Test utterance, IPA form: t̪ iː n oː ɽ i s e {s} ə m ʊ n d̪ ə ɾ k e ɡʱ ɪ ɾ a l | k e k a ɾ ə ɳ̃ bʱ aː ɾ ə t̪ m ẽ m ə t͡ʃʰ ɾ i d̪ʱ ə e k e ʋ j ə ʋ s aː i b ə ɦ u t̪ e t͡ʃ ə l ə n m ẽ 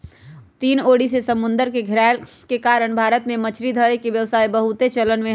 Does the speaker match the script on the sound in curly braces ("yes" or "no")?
yes